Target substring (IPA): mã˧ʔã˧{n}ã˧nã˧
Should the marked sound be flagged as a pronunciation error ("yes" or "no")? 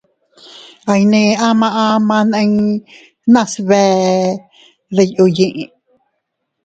yes